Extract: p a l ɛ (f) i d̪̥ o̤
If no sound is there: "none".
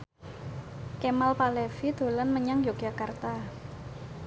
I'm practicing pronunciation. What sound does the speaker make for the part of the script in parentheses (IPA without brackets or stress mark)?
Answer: f